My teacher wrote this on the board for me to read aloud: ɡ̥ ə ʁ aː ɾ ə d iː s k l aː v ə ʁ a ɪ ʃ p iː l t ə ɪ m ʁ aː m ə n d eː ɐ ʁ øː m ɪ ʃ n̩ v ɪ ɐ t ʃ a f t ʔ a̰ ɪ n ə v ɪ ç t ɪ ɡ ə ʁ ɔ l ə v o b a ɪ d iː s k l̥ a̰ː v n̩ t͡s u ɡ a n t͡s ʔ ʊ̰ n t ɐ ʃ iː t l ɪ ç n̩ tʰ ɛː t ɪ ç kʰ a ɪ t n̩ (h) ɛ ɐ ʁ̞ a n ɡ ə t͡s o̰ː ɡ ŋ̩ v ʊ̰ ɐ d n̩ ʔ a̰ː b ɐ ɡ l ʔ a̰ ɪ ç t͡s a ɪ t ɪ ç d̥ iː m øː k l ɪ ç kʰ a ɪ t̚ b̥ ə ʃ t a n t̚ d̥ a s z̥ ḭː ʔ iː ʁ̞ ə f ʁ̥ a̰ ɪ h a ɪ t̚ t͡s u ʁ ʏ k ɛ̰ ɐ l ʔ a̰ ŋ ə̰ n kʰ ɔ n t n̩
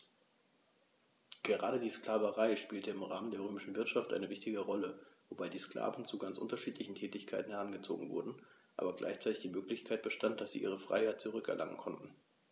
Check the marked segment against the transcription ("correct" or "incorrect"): correct